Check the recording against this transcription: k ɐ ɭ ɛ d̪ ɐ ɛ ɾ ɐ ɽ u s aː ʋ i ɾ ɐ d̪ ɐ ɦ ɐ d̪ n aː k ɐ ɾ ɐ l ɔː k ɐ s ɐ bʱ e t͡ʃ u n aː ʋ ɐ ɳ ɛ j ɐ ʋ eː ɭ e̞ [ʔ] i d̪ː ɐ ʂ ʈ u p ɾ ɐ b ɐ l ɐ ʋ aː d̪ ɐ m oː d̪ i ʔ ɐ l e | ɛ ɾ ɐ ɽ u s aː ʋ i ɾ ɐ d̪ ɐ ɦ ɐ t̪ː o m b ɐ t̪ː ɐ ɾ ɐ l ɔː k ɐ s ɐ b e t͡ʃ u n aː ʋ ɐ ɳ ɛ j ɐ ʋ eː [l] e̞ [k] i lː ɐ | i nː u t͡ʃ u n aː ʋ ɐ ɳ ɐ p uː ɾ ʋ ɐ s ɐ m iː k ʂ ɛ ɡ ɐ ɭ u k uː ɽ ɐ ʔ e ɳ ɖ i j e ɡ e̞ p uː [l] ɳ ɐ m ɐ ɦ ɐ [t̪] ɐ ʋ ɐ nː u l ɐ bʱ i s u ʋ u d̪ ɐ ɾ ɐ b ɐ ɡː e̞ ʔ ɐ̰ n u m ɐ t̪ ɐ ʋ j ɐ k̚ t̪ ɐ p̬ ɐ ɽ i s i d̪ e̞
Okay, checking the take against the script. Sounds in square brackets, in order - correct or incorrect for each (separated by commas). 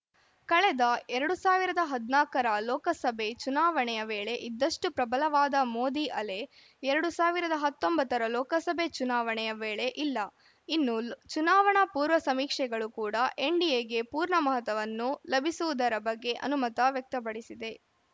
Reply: correct, incorrect, incorrect, incorrect, correct